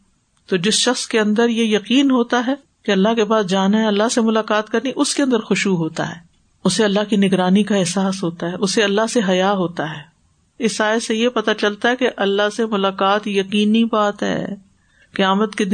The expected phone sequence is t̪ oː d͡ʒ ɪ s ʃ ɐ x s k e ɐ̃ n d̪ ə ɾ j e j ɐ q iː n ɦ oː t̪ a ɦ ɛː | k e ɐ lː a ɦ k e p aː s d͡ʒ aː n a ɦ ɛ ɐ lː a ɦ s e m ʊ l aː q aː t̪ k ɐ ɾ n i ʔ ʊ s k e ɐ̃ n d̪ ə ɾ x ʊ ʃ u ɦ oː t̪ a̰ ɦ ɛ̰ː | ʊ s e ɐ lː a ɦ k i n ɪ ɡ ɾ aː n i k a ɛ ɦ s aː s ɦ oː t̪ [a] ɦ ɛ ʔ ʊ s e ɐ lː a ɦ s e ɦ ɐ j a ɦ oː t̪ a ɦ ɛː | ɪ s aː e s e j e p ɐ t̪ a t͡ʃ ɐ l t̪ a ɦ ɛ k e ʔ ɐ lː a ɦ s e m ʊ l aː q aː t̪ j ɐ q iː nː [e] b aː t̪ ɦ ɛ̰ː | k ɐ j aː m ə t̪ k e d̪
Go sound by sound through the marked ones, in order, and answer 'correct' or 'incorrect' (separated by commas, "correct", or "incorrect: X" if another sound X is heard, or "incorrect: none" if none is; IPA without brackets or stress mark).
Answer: correct, incorrect: i